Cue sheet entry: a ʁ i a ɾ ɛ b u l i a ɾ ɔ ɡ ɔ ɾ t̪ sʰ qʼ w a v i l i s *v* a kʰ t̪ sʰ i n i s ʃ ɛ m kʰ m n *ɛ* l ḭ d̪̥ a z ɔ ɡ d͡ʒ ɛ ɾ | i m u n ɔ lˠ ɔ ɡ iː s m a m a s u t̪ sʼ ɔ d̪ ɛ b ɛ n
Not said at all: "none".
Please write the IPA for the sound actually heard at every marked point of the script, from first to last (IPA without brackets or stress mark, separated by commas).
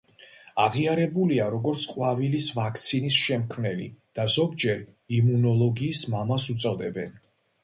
v, ɛ